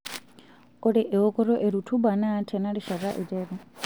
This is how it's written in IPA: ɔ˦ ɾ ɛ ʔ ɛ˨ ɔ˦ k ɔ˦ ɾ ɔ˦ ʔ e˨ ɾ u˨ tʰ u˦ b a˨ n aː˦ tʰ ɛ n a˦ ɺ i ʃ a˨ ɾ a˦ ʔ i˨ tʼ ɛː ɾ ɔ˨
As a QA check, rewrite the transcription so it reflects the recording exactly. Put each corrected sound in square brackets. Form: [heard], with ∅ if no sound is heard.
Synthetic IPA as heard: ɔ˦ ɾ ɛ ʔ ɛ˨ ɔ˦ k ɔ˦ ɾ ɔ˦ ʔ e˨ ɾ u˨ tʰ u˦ b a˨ n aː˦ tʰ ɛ n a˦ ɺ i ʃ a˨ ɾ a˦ ʔ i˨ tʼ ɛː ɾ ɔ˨